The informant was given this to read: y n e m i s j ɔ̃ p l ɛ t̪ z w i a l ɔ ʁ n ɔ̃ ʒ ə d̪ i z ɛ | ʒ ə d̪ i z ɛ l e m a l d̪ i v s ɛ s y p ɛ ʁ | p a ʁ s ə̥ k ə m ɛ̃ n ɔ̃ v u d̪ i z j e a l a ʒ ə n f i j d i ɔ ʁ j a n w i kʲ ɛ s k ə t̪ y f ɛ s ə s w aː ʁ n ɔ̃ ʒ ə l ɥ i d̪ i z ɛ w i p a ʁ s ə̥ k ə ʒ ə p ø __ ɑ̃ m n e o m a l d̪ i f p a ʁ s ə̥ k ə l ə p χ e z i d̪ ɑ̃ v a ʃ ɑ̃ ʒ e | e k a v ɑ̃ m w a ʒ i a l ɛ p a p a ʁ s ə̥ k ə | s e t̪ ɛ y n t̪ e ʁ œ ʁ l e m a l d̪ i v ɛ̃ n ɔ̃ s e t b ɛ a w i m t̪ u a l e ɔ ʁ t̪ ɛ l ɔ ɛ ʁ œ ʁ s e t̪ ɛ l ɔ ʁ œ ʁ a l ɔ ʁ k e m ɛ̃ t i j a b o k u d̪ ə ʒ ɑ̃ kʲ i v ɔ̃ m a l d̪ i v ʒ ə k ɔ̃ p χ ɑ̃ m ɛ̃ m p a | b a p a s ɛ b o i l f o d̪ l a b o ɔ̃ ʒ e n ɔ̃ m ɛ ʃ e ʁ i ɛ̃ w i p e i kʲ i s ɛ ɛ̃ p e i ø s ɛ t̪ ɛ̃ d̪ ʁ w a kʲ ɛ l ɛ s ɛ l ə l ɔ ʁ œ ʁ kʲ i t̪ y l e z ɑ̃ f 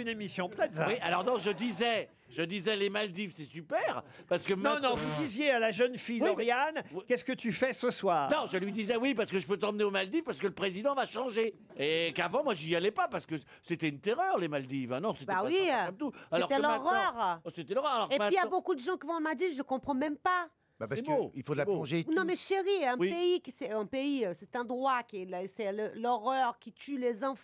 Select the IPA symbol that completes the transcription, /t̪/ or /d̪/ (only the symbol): t̪